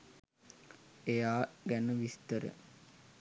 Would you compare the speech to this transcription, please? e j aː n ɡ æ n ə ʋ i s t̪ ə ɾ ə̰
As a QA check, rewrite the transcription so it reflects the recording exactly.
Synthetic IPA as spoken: e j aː ɡ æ n ə ʋ i s t̪ ə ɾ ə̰